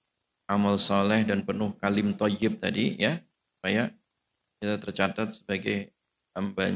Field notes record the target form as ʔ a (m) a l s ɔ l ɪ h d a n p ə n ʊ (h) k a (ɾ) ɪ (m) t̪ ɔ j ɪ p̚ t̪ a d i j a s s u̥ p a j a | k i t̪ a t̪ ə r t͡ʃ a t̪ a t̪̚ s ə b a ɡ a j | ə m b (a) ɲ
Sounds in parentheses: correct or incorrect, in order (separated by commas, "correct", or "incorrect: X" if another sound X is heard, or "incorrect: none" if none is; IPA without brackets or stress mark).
correct, correct, incorrect: l, correct, correct